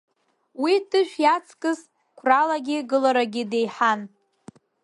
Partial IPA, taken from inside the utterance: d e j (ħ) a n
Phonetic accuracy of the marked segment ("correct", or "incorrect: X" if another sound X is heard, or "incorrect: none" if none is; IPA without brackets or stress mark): correct